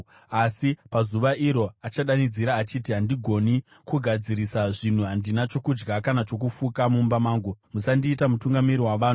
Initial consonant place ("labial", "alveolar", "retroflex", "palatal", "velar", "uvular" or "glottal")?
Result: alveolar